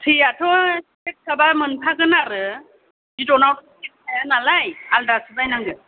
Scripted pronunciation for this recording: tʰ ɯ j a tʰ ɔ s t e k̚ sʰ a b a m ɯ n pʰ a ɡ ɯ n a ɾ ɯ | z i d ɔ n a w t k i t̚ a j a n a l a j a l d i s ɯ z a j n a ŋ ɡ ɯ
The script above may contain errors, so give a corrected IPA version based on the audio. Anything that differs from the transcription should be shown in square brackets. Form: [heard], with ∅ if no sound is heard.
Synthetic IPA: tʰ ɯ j a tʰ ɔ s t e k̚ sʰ a b a m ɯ n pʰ a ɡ ɯ n a ɾ ɯ | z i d ɔ n a w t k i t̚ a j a n a l a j a l d [a] s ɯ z a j n a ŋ ɡ ɯ